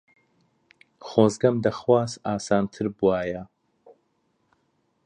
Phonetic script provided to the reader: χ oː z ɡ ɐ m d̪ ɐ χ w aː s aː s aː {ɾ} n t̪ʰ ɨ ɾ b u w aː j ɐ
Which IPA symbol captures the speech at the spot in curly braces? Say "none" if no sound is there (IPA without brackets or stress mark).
none